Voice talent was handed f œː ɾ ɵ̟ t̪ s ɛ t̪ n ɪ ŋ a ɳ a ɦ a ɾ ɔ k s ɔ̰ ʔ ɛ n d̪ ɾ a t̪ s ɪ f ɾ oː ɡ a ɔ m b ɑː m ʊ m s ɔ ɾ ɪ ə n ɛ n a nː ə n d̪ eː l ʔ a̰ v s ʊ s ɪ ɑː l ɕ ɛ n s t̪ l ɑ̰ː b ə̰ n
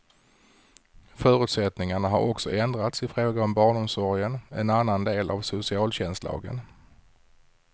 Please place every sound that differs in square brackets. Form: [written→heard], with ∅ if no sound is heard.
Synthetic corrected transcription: f œː ɾ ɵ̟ t̪ s ɛ t̪ n ɪ ŋ a ɳ a ɦ a ɾ ɔ k s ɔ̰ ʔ ɛ n d̪ ɾ a t̪ s ɪ f ɾ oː ɡ a ɔ m b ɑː [m→ɳ] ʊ m s ɔ ɾ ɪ ə n ɛ n a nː [ə→a] n d̪ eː l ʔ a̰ v s ʊ s ɪ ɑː l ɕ ɛ n s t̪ l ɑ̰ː [b→ɡ] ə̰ n